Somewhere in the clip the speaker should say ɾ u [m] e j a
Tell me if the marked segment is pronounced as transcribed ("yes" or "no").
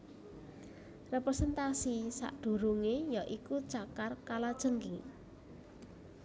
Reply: no